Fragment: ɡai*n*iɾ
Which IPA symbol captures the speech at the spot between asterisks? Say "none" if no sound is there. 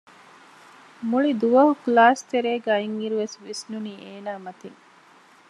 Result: ŋ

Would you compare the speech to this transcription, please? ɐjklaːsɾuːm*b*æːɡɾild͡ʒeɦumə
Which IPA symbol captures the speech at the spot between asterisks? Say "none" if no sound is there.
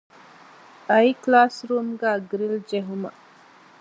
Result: ɡ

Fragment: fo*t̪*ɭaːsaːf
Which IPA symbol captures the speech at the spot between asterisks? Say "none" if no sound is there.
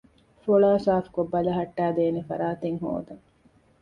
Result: none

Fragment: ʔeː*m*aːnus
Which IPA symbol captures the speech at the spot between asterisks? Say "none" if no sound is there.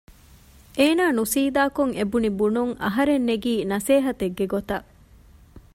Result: n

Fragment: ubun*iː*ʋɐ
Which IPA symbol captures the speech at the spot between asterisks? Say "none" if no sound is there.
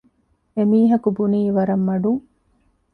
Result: iː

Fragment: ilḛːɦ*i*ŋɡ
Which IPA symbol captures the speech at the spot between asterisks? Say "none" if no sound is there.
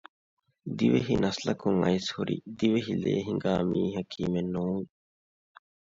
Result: i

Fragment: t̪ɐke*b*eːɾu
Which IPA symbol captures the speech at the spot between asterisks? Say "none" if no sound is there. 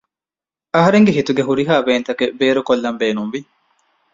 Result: b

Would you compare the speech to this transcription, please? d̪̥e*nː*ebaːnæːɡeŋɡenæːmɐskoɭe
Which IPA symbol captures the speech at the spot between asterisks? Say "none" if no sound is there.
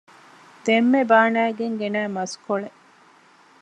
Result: mː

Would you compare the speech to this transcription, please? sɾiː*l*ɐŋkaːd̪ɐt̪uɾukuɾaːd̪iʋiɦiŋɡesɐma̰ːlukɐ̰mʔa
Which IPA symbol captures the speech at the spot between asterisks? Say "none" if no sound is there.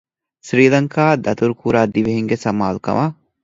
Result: l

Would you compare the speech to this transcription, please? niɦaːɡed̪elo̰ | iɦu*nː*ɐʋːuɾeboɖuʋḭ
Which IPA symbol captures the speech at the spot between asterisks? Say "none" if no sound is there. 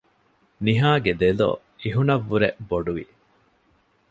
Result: n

